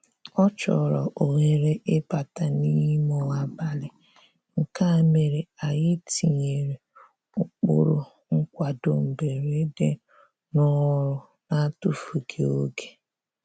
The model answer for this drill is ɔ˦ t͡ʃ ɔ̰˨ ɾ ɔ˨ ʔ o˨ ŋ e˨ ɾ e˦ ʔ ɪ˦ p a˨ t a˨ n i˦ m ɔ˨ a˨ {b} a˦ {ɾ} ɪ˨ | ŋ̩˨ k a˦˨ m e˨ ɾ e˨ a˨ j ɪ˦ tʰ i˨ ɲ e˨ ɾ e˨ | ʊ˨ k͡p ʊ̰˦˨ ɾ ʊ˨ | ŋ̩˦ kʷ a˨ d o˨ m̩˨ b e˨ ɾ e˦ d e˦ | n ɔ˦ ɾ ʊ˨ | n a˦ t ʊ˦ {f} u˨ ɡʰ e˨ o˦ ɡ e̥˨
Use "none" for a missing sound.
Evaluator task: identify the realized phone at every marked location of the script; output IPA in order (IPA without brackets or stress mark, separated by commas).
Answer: b, l, f